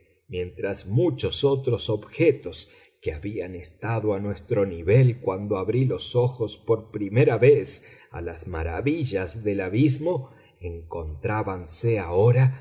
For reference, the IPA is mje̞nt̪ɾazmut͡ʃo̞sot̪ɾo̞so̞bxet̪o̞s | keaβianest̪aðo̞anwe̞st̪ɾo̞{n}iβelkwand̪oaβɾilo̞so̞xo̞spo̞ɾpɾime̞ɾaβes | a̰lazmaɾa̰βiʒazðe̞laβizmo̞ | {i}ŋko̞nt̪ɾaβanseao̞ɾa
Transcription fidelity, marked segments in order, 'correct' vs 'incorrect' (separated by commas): correct, incorrect